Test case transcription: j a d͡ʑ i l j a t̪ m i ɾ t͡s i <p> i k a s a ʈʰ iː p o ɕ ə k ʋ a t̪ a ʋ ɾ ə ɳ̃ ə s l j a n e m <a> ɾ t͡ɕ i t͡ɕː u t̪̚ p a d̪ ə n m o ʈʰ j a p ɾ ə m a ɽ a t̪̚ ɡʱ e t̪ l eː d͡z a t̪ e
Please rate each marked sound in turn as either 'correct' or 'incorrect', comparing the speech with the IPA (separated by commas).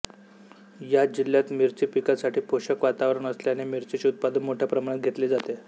correct, incorrect